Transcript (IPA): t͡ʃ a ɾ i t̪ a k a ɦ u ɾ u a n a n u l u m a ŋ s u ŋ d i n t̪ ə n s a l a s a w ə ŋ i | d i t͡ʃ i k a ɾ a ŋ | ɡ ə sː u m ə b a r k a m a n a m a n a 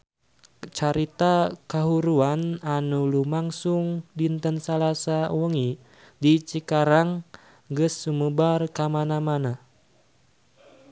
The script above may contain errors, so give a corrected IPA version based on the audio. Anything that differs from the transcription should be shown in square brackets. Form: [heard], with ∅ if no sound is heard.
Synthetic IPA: t͡ʃ a ɾ i t̪ a k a ɦ u ɾ u a n a n u l u m a ŋ s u ŋ d i n t̪ ə n s a l a s a w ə ŋ i | d i t͡ʃ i k a ɾ a ŋ | ɡ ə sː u m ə b a r k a m a n a m a n a